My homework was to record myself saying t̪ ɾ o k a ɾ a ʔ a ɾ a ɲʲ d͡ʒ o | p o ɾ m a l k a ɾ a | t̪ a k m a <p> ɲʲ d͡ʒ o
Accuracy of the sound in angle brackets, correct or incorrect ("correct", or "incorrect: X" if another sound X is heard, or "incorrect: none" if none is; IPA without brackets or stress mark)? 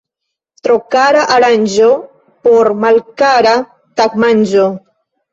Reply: incorrect: none